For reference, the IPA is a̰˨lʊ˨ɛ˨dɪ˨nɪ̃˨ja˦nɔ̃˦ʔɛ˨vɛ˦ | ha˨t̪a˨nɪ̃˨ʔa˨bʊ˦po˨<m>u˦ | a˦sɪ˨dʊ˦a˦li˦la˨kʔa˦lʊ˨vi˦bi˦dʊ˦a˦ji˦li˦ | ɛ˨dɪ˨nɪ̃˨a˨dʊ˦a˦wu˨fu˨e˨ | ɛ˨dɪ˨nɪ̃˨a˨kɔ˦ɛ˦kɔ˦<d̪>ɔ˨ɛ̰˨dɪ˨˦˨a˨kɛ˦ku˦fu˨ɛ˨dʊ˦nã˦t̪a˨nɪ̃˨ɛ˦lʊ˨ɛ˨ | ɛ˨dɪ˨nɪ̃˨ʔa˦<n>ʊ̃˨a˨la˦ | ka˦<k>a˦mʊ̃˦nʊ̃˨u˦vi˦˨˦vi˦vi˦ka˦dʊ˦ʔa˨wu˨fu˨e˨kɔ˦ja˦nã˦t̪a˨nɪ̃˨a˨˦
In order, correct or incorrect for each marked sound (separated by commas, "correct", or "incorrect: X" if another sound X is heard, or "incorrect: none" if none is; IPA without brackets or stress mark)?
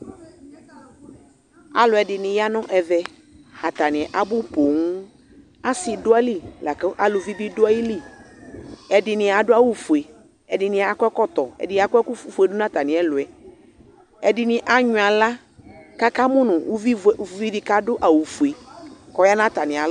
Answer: incorrect: ŋ, incorrect: t̪, incorrect: ɲ, correct